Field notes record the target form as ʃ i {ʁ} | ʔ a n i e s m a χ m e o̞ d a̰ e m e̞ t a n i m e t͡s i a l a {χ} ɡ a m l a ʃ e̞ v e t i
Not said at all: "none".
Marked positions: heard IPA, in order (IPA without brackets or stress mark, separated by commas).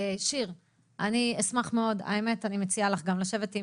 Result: ʁ, χ